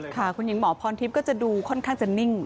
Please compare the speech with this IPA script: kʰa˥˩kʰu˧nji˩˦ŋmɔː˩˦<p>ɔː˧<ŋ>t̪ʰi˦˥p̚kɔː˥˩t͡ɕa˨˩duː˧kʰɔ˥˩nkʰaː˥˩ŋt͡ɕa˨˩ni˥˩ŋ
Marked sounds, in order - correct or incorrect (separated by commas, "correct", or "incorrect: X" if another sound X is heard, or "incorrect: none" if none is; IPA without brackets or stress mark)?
incorrect: pʰ, incorrect: n